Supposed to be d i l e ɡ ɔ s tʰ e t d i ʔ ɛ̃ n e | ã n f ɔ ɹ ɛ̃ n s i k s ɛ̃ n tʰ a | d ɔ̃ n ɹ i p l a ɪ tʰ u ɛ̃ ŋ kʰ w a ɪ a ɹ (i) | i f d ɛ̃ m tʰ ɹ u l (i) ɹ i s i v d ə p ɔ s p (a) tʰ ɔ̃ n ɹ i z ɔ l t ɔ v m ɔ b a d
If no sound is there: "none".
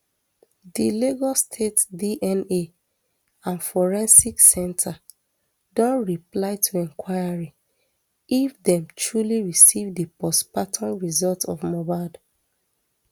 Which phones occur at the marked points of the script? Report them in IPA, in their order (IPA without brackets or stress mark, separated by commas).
i, i, a